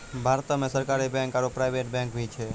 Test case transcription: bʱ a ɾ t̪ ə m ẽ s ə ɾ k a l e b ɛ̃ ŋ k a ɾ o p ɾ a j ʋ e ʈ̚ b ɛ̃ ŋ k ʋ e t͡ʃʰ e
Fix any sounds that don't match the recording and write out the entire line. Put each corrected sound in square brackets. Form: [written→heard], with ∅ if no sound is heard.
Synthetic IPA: bʱ a ɾ t̪ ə m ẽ s ə ɾ k a [l→ɾ] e b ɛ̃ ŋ k a ɾ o p ɾ a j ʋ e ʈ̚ b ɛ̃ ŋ k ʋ [e→i] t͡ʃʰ e